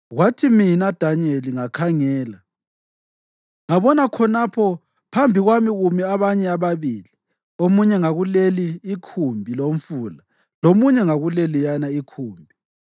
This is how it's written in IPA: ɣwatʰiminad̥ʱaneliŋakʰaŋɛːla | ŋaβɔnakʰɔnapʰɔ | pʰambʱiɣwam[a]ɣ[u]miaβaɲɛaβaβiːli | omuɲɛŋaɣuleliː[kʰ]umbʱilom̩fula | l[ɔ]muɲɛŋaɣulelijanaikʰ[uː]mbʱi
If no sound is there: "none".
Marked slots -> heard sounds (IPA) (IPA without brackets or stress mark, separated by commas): i, u, kʰ, o, uː